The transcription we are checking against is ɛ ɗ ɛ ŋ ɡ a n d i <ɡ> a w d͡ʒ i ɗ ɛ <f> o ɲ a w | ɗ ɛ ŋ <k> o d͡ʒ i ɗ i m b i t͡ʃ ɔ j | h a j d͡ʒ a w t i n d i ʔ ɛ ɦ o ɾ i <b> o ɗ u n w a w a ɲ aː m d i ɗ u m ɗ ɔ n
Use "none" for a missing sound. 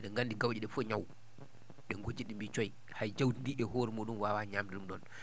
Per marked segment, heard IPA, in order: ɡ, f, ɡ, m

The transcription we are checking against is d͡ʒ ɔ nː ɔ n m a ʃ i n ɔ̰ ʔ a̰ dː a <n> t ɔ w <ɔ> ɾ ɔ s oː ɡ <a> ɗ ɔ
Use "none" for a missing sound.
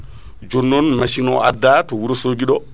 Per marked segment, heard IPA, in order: none, u, i

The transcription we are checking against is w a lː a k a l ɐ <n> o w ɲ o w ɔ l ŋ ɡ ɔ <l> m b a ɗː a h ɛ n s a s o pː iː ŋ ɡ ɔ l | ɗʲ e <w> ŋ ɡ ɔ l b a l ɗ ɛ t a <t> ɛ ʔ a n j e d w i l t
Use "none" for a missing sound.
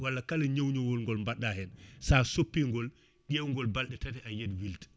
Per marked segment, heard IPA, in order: ɲ, l, w, t

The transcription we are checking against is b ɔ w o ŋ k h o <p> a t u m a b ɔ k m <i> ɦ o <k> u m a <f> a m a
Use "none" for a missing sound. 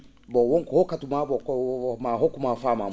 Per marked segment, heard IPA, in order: k, a, k, f

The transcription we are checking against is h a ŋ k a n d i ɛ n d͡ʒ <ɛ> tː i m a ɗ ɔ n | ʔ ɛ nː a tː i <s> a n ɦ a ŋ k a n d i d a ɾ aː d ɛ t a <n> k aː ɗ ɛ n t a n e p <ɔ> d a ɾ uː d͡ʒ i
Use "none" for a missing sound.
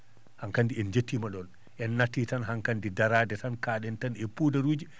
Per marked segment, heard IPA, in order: e, t, n, u

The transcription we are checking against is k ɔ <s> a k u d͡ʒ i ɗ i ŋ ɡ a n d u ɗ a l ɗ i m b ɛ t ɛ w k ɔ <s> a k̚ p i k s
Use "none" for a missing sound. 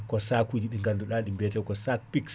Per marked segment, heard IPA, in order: s, s

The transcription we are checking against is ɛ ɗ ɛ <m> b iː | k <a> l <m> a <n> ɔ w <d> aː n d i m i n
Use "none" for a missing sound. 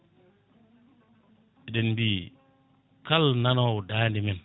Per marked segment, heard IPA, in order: n, a, n, n, d

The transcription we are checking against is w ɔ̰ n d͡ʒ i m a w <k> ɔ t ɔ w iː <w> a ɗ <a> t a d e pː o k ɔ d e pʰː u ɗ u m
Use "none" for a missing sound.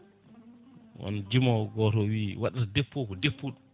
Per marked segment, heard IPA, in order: ɡ, w, a

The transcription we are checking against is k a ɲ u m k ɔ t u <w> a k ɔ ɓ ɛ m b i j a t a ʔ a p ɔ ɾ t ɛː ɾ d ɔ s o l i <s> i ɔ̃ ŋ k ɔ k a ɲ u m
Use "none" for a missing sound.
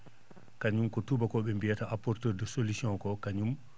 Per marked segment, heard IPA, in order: b, s

